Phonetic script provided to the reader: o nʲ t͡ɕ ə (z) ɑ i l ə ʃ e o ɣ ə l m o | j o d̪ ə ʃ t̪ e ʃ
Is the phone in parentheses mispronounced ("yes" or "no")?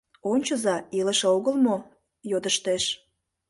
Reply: no